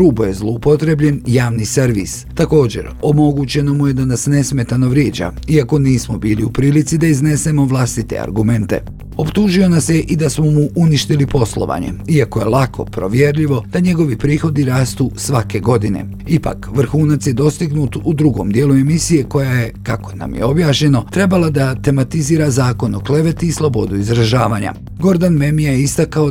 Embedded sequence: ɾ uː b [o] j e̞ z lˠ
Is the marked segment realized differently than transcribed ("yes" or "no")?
no